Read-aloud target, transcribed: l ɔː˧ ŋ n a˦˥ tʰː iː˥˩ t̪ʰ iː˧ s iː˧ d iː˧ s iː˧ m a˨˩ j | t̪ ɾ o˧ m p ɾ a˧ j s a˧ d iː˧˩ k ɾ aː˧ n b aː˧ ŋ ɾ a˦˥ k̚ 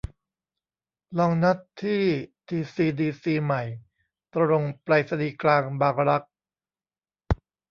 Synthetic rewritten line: l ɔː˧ ŋ n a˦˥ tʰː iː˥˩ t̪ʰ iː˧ s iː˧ d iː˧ s iː˧ m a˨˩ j | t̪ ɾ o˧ ŋ p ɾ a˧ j s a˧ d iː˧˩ k l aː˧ ŋ b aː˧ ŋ ɾ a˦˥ k̚